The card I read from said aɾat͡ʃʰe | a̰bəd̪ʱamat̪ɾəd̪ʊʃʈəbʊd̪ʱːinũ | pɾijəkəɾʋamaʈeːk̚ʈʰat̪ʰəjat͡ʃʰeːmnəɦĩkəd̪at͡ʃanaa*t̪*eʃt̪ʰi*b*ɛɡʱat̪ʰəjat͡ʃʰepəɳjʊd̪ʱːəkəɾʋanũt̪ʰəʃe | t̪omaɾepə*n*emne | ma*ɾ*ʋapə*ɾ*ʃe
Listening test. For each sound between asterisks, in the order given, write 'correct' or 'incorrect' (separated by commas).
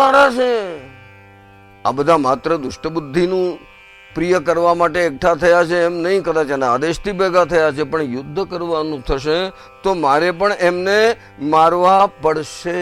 incorrect, correct, incorrect, correct, incorrect